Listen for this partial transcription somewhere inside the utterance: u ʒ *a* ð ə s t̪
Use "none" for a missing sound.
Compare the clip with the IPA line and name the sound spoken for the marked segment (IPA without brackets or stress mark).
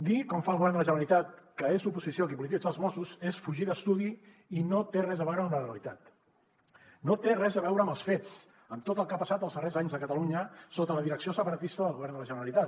i